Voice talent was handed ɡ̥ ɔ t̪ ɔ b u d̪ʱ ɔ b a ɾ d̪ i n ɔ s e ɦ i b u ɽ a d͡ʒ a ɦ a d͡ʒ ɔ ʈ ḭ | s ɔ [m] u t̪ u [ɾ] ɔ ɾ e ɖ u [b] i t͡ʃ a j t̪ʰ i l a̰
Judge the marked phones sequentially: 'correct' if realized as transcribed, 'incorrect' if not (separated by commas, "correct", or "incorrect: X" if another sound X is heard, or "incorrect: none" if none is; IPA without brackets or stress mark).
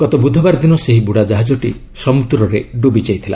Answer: correct, correct, correct